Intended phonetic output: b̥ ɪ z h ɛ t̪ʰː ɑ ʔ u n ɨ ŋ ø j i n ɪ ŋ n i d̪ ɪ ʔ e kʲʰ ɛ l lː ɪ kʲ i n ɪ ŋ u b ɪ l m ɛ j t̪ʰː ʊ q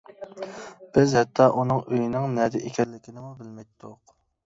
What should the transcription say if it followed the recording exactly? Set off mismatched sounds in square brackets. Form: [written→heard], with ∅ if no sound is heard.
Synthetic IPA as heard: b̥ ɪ z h ɛ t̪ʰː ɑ ʔ u n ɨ ŋ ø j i n ɪ ŋ n [i→ɛ] d̪ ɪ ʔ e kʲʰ ɛ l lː ɪ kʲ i n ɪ [ŋ→m] u b ɪ l m ɛ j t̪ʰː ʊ q